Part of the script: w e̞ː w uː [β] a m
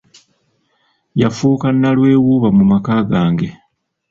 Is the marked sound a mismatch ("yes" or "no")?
no